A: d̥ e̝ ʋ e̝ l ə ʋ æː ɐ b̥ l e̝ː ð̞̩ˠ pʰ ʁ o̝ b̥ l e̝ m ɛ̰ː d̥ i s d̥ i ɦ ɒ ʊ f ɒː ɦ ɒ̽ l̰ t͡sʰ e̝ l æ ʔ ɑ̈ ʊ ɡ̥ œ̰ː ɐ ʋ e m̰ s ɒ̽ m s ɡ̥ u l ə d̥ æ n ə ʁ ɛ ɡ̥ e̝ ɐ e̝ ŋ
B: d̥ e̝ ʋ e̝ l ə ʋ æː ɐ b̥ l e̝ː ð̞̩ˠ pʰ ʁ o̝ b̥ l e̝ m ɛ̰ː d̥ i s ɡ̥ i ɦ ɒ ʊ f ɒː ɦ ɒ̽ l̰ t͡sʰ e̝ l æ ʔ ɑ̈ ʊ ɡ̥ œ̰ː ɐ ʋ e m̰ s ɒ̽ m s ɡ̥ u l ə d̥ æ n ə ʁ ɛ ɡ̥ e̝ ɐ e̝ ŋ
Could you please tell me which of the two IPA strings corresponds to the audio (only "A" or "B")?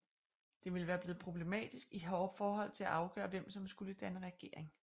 B